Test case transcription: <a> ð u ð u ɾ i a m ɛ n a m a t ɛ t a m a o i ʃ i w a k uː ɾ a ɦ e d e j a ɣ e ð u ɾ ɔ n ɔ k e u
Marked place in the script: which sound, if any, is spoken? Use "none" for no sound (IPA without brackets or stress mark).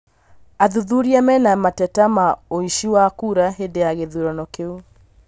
a